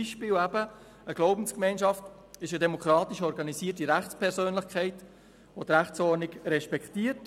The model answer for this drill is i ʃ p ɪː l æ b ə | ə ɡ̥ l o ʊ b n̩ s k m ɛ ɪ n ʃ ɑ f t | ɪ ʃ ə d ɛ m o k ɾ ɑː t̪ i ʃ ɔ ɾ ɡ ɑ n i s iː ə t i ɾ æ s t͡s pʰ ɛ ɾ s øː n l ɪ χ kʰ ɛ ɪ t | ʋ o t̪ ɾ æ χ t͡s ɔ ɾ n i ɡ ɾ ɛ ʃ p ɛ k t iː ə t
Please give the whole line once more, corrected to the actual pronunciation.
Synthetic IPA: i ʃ p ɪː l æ b ə | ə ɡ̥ l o ʊ b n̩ s k m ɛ ɪ n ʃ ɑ f t | ɪ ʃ ə d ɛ m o k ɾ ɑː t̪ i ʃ ɔ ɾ ɡ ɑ n i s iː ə t i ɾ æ χ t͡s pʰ ɛ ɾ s øː n l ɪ χ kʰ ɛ ɪ t | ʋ o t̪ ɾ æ χ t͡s ɔ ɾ n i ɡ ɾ ɛ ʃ p ɛ k t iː ə t